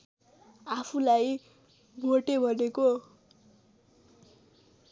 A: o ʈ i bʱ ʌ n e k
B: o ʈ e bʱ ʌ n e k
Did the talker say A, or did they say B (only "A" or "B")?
B